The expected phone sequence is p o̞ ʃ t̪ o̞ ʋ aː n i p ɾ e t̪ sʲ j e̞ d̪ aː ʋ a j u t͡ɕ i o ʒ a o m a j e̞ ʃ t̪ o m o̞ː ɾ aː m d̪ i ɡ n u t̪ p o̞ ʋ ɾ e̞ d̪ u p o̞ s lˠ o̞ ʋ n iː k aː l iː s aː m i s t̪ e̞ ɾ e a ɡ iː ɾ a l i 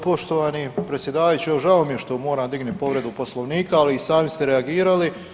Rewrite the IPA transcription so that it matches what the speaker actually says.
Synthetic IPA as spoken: p o̞ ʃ t̪ o̞ ʋ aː n i p ɾ e t̪ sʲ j e̞ d̪ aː ʋ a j u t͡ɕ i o ʒ a o m i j e̞ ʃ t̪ o m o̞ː ɾ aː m d̪ i ɡ n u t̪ p o̞ ʋ ɾ e̞ d̪ u p o̞ s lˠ o̞ ʋ n iː k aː l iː s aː m i s t̪ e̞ ɾ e a ɡ iː ɾ a l i